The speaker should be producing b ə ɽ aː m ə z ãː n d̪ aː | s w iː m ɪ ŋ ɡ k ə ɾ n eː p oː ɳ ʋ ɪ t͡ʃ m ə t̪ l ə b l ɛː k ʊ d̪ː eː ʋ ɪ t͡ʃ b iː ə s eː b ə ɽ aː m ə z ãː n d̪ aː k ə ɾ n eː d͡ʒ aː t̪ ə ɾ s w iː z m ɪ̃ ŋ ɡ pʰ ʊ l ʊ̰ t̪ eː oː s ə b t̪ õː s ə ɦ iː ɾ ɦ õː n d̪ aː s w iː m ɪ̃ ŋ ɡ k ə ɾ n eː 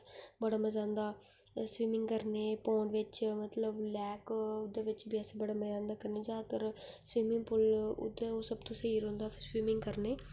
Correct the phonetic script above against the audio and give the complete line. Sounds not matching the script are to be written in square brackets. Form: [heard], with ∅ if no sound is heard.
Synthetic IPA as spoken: b ə ɽ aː m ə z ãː n d̪ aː | s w iː m ɪ ŋ ɡ k ə ɾ n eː p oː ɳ ʋ ɪ t͡ʃ m ə t̪ l ə b l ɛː k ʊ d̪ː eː ʋ ɪ t͡ʃ b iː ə s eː b ə ɽ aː m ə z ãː n d̪ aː k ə ɾ n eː d͡ʒ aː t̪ ə ɾ s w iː [∅] m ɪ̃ ŋ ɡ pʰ ʊ l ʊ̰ [d̪] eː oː s ə b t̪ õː s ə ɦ iː ɾ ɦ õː n d̪ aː s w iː m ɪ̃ ŋ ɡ k ə ɾ n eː